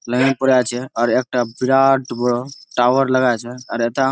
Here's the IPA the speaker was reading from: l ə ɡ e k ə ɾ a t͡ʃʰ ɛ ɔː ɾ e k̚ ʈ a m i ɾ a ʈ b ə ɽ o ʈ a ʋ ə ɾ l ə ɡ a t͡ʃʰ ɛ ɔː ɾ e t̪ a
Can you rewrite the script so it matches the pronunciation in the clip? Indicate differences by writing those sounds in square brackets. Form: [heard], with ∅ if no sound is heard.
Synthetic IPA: l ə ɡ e [p] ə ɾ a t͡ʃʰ ɛ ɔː ɾ e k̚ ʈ a [b] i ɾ a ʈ b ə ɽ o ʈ a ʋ ə ɾ l ə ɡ a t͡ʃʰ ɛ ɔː ɾ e t̪ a